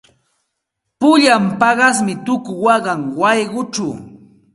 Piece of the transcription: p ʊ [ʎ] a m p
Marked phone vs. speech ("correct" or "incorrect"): correct